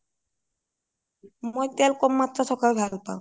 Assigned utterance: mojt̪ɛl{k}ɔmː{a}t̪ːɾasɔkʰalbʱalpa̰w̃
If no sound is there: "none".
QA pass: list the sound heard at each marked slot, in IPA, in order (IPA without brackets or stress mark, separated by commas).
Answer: k, a